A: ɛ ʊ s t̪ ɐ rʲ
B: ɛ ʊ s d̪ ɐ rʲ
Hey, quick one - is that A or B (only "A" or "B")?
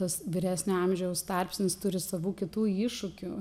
A